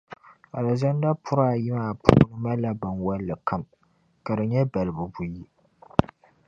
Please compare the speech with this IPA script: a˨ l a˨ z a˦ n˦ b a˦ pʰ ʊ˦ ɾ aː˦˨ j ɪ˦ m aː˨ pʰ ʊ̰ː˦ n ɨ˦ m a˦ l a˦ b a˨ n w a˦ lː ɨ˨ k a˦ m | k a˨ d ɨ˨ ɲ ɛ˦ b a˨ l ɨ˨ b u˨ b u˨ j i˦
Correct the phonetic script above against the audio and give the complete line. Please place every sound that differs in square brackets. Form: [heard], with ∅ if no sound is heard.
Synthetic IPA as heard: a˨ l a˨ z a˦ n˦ [d] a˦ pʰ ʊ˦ ɾ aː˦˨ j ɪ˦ m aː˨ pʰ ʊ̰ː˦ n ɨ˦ m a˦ l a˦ b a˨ n w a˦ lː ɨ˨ k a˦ m | k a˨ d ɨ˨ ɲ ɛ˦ b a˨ l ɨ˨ b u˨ b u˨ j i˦